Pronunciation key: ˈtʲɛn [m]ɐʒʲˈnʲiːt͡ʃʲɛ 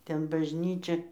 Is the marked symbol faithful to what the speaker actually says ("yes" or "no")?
no